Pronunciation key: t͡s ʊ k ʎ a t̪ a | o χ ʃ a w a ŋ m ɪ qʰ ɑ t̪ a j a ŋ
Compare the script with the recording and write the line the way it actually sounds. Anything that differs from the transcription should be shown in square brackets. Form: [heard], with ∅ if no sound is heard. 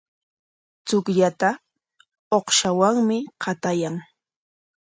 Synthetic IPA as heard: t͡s ʊ k ʎ a t̪ a | o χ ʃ a w a ŋ m ɪ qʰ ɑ t̪ a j a ŋ